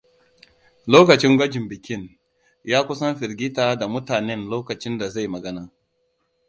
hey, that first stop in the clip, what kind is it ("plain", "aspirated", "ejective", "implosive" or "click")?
plain